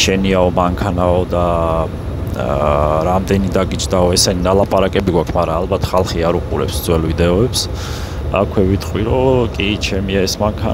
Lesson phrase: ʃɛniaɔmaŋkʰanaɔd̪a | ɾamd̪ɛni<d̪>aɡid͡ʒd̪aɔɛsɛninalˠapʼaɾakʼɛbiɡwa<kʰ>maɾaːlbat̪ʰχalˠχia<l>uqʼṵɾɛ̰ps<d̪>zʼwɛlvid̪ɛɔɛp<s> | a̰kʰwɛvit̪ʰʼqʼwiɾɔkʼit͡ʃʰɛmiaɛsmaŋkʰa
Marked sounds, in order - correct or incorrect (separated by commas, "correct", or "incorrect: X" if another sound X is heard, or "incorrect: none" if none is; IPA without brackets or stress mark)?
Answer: correct, correct, incorrect: ɾ, correct, correct